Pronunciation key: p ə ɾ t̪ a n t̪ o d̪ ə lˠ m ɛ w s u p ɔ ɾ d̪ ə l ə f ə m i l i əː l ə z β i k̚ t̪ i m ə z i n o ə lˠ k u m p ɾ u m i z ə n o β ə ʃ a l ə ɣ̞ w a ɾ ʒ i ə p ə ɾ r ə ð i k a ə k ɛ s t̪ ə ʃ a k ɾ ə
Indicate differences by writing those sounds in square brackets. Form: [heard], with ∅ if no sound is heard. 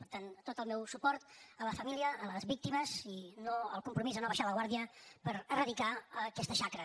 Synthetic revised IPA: p ə ɾ t̪ a n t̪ o [t̪] ə lˠ m ɛ w s u p ɔ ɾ [t̪] ə l ə f ə m i l i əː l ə z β i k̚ t̪ i m ə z i n o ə lˠ k u m p ɾ u m i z ə n o β ə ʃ a l ə ɣ̞ w a ɾ [ð] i ə p ə ɾ r ə ð i k a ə k ɛ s t̪ ə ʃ a k ɾ ə